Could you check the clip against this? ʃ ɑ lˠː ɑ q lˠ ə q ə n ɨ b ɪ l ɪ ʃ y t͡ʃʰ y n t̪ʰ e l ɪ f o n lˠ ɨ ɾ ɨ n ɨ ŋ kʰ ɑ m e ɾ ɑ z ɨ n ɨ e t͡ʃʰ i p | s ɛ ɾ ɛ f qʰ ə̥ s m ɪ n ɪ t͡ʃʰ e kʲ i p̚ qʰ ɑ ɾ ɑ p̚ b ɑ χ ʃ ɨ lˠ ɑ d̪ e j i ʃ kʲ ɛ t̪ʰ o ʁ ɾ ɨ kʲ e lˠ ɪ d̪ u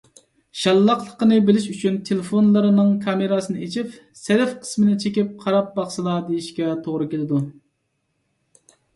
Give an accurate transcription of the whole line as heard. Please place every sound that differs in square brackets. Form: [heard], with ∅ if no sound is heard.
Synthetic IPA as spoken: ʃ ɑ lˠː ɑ q lˠ ə q ə n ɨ b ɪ l ɪ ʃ y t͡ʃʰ y n t̪ʰ e l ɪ f o n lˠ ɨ ɾ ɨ n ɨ ŋ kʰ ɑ m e ɾ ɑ [s] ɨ n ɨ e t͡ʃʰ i p | s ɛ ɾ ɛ f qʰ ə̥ s m ɪ n ɪ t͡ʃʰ e kʲ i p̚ qʰ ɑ ɾ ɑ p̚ b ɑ χ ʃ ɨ lˠ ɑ d̪ e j i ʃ kʲ ɛ t̪ʰ o ʁ ɾ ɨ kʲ e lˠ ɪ d̪ u